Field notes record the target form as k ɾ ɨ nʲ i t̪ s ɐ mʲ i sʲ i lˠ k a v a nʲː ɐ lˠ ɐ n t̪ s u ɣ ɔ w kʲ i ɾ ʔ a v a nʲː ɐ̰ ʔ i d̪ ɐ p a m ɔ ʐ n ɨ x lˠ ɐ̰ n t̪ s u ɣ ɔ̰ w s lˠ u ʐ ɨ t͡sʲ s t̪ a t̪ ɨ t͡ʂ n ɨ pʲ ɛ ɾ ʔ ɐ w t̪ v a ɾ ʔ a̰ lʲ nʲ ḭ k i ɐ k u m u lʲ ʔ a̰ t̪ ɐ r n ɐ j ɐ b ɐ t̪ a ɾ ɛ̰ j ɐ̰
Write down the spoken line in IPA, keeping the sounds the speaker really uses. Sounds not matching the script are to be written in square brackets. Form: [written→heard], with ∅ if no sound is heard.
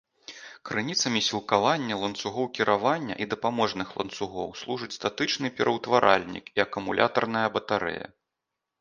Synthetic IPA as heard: k ɾ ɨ nʲ i t̪ s ɐ mʲ i sʲ i lˠ k a v a nʲː ɐ lˠ ɐ n t̪ s u ɣ ɔ w kʲ i ɾ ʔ a v a nʲː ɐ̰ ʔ i d̪ ɐ p a m ɔ ʐ n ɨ x lˠ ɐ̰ n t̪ s u ɣ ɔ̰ w s lˠ u ʐ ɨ t͡sʲ s t̪ a t̪ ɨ t͡ʂ n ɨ pʲ ɛ ɾ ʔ ɐ w t̪ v a ɾ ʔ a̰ lʲ nʲ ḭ k i ɐ k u m u lʲ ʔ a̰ t̪ ɐ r n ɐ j ɐ b ɐ t̪ a ɾ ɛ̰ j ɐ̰